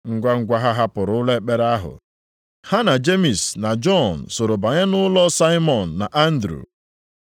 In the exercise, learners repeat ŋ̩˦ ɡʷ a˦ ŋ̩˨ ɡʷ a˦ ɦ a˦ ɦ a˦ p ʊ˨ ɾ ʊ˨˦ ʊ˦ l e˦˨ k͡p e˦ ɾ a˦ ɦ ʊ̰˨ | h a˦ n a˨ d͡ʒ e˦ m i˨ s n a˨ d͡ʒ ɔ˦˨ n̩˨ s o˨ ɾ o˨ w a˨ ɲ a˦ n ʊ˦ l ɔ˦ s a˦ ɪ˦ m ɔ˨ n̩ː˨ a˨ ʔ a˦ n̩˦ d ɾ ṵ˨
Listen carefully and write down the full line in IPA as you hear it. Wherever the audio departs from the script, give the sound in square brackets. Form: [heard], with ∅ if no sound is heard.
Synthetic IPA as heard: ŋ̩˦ ɡʷ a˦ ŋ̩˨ ɡʷ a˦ ɦ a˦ ɦ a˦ p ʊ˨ ɾ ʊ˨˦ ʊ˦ l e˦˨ k͡p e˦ ɾ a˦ ɦ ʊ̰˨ | h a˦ n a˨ d͡ʒ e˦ m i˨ s n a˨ d͡ʒ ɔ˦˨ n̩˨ s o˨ ɾ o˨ [b] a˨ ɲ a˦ n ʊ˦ l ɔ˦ s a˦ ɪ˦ m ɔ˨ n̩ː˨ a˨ ʔ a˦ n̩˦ d ɾ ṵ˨